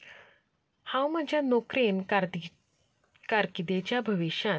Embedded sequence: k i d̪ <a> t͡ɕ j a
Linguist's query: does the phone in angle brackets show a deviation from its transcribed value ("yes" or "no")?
yes